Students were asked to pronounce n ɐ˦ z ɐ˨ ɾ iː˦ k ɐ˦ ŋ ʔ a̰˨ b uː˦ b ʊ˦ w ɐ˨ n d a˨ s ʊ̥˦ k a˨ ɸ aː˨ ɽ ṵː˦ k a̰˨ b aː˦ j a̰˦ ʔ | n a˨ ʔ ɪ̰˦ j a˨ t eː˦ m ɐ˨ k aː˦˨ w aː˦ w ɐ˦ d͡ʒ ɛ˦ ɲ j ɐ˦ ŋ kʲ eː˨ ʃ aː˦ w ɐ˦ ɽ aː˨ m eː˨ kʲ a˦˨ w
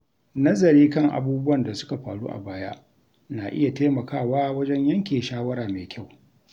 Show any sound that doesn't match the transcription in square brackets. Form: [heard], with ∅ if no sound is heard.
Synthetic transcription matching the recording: n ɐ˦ z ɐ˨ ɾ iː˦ k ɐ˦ ŋ ʔ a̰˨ b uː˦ b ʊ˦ w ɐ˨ n d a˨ s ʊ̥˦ k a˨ ɸ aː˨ ɽ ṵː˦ [ʔ] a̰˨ b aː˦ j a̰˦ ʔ | n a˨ ʔ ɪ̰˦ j a˨ t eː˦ m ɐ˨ k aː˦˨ w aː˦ w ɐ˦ d͡ʒ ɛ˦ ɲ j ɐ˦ ŋ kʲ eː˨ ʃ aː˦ w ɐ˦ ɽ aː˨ m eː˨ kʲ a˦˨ w